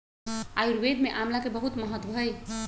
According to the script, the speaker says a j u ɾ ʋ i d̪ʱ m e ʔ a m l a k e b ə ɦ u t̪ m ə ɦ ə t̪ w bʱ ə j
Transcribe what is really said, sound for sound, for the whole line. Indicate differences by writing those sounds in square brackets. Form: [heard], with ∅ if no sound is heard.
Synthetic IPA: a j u ɾ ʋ [e] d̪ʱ m e ʔ a m l a k e b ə ɦ u t̪ m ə ɦ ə t̪ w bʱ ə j